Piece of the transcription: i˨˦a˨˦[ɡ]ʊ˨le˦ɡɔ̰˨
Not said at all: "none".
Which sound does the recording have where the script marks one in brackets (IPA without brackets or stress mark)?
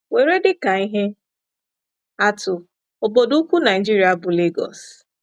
b